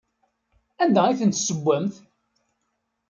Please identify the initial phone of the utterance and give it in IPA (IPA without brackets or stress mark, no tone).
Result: æ